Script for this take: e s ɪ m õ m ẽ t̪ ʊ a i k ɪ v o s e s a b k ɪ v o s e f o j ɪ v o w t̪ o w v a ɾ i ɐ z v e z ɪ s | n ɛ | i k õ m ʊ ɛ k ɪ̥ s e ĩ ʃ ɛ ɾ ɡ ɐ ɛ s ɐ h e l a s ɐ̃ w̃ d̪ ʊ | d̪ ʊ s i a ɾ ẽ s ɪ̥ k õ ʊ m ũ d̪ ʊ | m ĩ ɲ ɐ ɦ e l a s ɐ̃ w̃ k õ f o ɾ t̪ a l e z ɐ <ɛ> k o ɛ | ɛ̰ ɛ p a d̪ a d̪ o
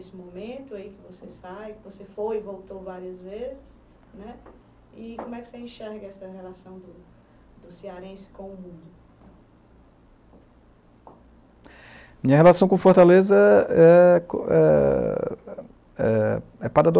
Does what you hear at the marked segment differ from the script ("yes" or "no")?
no